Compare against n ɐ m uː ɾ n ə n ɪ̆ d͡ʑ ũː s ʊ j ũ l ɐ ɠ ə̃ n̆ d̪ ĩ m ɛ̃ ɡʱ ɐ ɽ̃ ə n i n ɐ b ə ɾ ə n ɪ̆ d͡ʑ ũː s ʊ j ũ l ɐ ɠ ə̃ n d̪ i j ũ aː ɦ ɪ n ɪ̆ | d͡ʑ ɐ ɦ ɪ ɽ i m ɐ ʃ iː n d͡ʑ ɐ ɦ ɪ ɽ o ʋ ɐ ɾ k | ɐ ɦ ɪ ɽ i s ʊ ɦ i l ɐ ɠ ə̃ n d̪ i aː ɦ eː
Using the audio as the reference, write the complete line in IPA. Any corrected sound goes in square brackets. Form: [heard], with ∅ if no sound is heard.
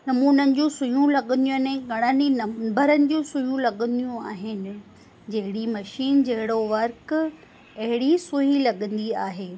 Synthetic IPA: n ɐ m uː [∅] n ə n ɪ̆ d͡ʑ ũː s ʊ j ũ l ɐ ɠ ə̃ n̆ d̪ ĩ [n] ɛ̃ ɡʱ ɐ ɽ̃ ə n i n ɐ b ə ɾ ə n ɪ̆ d͡ʑ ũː s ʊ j ũ l ɐ ɠ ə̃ n d̪ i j ũ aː ɦ ɪ n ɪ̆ | d͡ʑ ɐ ɦ ɪ ɽ i m ɐ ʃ iː n d͡ʑ ɐ ɦ ɪ ɽ o ʋ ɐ ɾ k | ɐ ɦ ɪ ɽ i s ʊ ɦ i l ɐ ɠ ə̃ n d̪ i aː ɦ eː

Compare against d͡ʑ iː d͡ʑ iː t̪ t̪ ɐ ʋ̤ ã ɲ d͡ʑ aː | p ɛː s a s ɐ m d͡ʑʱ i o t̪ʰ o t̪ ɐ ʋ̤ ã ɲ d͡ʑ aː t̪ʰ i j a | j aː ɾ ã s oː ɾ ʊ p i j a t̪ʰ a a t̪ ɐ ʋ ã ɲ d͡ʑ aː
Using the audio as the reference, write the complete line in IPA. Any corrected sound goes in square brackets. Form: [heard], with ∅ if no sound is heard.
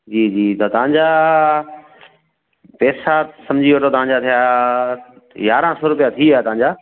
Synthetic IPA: d͡ʑ iː d͡ʑ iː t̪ t̪ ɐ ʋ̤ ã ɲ d͡ʑ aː | p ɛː s a s ɐ m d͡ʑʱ i o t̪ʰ o t̪ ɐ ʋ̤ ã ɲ d͡ʑ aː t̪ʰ i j a | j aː ɾ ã s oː ɾ ʊ p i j a t̪ʰ [i] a t̪ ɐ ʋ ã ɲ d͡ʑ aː

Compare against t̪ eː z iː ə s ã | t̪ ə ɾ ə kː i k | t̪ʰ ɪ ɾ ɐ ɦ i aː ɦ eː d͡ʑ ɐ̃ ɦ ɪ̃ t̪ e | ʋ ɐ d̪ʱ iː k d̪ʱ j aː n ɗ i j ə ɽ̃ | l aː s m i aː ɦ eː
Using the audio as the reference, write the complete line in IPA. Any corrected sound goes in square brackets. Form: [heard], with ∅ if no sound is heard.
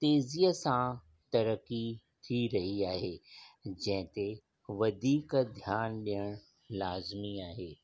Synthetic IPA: t̪ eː z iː ə s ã | t̪ [ɐ] ɾ ə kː i [∅] | t̪ʰ [i] ɾ ɐ ɦ i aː ɦ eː d͡ʑ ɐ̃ ɦ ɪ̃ t̪ e | ʋ ɐ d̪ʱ iː k d̪ʱ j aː n ɗ i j ə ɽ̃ | l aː [z] m i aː ɦ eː

